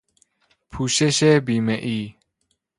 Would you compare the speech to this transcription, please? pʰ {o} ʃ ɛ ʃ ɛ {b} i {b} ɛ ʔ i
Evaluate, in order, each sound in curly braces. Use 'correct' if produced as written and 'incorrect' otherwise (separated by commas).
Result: incorrect, correct, incorrect